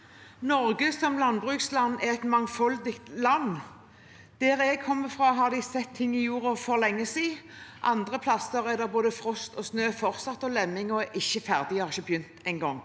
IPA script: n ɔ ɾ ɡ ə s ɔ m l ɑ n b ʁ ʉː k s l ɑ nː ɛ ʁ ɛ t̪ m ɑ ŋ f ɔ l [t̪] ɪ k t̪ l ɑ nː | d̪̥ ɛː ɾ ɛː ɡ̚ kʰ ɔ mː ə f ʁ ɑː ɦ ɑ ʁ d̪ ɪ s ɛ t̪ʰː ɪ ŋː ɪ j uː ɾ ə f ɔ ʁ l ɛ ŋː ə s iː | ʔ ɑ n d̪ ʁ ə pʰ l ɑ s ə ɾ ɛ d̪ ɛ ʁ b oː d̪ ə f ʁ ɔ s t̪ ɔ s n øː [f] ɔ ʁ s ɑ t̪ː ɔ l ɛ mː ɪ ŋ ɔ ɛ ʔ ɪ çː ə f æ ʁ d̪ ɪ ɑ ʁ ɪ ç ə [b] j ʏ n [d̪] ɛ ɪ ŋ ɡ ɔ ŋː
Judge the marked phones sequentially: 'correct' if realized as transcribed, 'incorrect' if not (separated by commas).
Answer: incorrect, correct, correct, incorrect